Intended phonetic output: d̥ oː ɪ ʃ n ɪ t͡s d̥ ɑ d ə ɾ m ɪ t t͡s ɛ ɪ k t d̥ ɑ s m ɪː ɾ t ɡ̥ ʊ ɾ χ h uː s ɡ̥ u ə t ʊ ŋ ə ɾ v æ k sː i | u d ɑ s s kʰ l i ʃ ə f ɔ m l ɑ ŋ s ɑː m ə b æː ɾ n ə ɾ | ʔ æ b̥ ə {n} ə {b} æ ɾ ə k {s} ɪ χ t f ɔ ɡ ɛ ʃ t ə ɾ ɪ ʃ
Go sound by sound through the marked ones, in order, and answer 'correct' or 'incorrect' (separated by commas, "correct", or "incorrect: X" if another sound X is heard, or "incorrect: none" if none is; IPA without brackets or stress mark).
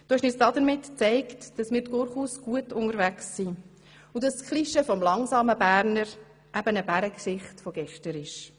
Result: correct, correct, correct